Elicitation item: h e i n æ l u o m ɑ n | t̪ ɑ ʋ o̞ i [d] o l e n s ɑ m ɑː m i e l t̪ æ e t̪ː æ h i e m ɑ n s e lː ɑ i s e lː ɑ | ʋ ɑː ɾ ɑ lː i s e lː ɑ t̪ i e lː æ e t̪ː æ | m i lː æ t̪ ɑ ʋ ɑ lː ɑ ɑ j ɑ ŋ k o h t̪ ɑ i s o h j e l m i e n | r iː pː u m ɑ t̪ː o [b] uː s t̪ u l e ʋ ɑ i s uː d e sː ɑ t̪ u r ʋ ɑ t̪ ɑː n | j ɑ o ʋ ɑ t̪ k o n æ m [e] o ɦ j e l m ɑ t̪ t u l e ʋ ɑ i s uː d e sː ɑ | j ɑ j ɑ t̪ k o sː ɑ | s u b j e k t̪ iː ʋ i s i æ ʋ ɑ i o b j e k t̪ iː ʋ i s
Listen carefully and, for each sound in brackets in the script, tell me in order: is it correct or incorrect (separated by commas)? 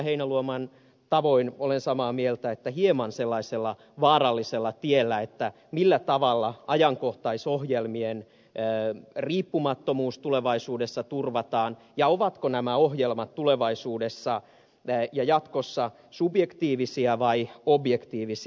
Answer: incorrect, incorrect, incorrect